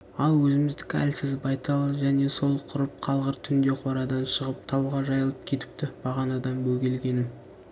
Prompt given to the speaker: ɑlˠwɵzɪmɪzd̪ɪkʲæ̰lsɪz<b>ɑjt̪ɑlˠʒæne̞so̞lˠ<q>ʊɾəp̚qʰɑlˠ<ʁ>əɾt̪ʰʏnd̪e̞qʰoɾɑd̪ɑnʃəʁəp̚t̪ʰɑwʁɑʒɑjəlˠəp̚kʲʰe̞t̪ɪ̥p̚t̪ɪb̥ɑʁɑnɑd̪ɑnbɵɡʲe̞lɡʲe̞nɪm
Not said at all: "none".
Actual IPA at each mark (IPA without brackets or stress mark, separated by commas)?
b, qʰ, ʁ